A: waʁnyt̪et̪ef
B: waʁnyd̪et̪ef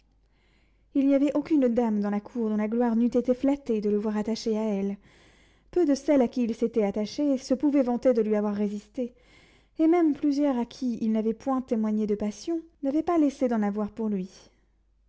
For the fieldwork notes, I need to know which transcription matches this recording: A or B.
A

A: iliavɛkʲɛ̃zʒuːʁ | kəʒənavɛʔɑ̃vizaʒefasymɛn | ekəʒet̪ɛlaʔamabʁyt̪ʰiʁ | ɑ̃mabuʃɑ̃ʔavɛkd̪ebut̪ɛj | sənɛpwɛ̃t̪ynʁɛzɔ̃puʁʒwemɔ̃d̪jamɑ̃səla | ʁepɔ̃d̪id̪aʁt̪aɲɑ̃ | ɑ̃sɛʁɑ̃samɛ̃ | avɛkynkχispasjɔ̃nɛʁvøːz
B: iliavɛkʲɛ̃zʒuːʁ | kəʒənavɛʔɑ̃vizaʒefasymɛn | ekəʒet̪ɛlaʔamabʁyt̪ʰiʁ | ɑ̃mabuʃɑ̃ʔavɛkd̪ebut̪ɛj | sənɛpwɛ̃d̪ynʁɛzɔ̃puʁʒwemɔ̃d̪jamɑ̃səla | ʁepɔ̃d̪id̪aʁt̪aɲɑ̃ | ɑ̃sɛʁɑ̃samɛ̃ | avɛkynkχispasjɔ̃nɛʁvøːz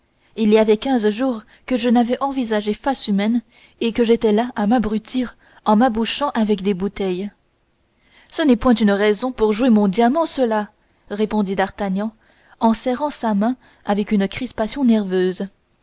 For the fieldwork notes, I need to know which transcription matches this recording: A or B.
A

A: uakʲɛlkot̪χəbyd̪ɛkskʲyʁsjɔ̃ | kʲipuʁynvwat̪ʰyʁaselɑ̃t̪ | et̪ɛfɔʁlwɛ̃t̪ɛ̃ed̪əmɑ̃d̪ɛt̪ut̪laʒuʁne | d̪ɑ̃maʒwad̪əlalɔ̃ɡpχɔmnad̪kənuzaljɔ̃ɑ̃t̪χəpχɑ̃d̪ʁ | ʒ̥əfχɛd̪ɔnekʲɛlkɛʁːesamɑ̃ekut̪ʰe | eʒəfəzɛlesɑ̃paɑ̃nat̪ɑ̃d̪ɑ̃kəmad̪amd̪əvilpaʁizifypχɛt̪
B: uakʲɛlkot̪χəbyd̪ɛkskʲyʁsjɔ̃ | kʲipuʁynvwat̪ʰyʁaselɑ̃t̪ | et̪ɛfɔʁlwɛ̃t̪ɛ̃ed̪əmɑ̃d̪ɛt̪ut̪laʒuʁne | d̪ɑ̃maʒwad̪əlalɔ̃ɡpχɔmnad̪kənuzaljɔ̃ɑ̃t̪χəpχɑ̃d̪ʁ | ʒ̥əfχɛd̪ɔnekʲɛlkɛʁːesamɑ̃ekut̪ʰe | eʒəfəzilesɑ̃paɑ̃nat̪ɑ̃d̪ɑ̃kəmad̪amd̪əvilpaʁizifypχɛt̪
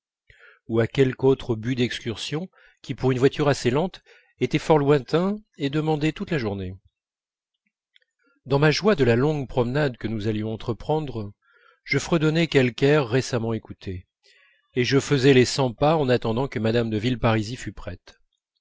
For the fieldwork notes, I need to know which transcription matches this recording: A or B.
A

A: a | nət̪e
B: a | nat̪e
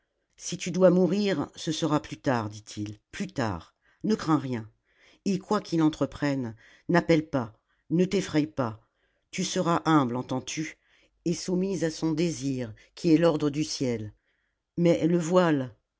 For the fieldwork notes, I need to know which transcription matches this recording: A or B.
A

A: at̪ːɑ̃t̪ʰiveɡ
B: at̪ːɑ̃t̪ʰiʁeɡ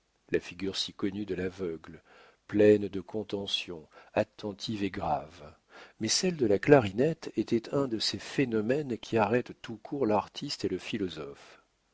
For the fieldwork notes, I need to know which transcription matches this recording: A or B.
A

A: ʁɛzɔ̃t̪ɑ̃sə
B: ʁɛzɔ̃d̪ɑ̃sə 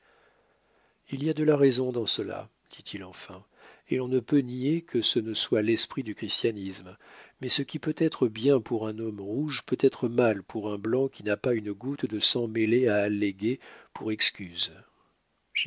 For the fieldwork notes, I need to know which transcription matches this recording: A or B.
B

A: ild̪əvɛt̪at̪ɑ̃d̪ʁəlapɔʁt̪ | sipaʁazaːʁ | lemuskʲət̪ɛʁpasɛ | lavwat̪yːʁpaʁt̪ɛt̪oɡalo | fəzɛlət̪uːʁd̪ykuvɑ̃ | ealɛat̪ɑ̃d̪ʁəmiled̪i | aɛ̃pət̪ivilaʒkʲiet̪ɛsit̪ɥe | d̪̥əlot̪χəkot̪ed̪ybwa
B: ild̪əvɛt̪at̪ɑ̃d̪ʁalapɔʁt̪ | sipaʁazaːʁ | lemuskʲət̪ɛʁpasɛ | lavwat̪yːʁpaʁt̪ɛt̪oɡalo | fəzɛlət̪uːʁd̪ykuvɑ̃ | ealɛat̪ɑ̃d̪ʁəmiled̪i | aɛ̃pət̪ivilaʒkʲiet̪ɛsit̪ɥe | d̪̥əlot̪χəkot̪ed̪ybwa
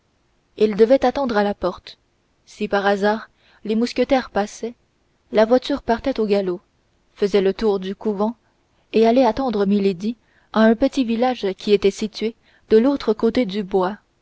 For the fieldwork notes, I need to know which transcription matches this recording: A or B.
B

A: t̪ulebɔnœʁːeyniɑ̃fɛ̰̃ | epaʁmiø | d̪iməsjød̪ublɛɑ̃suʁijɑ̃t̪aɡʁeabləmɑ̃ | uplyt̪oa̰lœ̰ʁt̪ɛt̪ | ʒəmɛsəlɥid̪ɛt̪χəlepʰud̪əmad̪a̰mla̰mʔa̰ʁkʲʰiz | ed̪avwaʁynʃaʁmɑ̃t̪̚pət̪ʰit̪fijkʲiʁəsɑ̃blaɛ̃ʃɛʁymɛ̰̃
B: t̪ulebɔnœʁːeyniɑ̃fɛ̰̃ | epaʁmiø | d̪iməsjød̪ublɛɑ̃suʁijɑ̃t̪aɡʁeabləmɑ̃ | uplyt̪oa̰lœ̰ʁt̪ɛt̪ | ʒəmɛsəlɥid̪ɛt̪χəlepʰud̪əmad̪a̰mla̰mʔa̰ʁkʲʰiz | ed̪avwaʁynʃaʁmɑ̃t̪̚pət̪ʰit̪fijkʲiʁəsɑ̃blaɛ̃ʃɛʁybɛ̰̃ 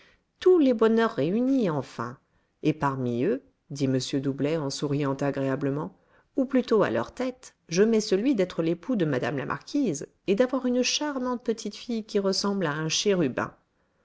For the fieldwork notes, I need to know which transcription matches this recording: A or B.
B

